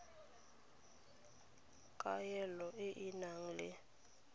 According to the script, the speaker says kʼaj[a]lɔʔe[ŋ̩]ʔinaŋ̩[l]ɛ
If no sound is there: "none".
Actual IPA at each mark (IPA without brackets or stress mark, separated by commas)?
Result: ɛ, none, l